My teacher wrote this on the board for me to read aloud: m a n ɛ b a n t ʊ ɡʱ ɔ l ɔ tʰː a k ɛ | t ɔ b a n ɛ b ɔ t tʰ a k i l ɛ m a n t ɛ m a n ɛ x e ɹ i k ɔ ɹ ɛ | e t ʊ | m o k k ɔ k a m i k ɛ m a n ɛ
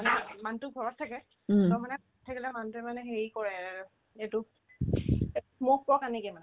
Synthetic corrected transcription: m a n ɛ m a n t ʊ ɡʱ ɔ ɹ ɔ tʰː a k ɛ | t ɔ m a n ɛ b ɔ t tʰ a k i l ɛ m a n t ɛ m a n ɛ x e ɹ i k ɔ ɹ ɛ | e t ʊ | m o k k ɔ k a n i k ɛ m a n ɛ